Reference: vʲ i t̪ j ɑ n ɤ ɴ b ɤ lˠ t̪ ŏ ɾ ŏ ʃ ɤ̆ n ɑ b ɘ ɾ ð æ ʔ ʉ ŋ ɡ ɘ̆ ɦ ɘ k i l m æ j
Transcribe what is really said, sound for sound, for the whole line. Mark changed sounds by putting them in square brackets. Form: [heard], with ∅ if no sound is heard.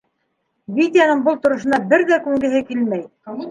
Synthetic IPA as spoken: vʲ i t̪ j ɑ n ɤ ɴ b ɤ lˠ t̪ ŏ ɾ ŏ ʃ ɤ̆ n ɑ b ɘ ɾ ð æ [k] ʉ ŋ ɡ ɘ̆ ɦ ɘ k i l m æ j